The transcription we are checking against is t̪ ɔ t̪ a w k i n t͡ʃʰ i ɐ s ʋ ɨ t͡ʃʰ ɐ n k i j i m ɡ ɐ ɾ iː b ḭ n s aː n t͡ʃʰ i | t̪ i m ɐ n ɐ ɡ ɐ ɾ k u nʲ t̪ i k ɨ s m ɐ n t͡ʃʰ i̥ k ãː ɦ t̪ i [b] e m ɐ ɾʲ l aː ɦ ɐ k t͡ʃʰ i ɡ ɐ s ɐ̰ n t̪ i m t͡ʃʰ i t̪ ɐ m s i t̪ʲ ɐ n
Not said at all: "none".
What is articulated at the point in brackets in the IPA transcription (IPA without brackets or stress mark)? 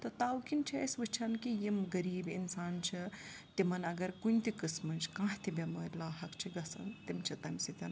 b